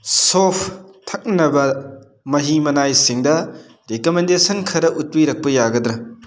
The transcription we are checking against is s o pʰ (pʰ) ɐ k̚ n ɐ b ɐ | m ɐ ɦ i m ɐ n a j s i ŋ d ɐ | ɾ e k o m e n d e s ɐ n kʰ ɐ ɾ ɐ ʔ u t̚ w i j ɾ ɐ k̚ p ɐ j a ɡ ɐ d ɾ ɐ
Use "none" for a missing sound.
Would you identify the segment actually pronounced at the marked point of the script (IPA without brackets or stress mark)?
tʰ